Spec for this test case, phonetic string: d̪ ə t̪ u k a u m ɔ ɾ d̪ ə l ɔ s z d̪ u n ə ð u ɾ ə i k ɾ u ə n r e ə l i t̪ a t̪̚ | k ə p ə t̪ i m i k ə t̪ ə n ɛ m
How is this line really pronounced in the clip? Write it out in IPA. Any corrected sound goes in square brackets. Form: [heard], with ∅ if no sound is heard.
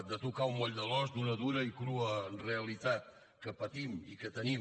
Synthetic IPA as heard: d̪ ə t̪ u k a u m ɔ [ʎ] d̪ ə l ɔ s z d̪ u n ə ð u ɾ ə i k ɾ u ə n r e ə l i t̪ a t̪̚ | k ə p ə t̪ i m i k ə t̪ ə n [i] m